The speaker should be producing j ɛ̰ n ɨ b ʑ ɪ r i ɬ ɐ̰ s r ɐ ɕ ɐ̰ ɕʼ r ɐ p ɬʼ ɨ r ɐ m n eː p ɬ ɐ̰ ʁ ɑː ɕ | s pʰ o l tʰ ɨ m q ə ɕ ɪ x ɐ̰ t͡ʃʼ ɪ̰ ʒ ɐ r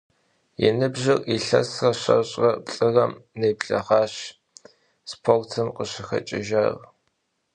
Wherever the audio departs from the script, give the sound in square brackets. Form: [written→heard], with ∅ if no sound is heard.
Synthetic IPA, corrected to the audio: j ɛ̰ n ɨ b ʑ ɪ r i ɬ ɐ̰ s r ɐ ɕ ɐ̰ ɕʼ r ɐ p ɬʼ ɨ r ɐ m n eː p ɬ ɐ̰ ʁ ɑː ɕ | s pʰ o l tʰ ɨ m q ə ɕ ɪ x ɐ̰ t͡ʃʼ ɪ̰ ʒ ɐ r